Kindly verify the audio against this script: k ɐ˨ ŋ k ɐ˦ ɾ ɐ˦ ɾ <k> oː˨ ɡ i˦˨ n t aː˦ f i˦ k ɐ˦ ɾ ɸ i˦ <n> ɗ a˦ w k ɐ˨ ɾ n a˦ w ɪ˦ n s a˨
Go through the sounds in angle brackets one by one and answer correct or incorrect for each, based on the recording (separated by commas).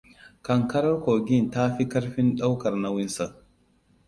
correct, correct